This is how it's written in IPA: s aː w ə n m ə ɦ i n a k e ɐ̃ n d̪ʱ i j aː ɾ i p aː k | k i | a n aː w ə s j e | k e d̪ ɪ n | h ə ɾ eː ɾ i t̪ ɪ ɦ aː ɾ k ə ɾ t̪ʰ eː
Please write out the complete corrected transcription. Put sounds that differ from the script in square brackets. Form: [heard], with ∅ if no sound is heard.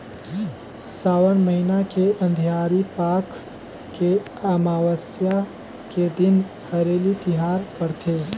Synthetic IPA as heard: s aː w ə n m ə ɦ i n a k e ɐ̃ n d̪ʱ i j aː ɾ i p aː k | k [e] | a [m] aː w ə s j [a] | k e d̪ ɪ n | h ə ɾ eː [l] i t̪ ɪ ɦ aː ɾ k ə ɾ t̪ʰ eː